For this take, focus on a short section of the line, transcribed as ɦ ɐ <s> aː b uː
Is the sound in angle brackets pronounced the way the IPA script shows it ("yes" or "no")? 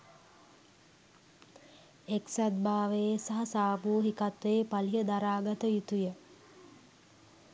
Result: yes